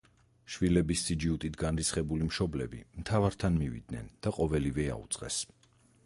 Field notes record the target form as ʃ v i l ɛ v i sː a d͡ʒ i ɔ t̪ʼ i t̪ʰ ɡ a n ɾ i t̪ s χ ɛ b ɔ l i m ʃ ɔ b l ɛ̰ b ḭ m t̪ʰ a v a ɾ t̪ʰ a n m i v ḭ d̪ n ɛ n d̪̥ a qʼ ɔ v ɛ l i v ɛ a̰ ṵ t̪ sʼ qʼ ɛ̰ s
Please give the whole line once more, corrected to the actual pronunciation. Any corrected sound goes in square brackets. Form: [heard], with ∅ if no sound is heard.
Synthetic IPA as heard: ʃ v i l ɛ [b] i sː [i] d͡ʒ i [u] t̪ʼ i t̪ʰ ɡ a n ɾ i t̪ s χ ɛ b [u] l i m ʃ ɔ b l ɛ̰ b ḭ m t̪ʰ a v a ɾ t̪ʰ a n m i v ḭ d̪ n ɛ n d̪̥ a qʼ ɔ v ɛ l i v ɛ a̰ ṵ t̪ sʼ qʼ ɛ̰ s